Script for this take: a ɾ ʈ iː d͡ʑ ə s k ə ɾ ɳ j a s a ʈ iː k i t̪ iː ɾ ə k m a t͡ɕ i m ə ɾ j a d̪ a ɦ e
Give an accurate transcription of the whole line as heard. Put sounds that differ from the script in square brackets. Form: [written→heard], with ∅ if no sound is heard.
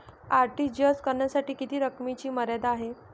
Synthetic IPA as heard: a ɾ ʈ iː d͡ʑ ə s k ə ɾ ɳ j a s a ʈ iː k i t̪ iː ɾ ə k m [a→i] t͡ɕ [i→iː] m ə ɾ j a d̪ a ɦ e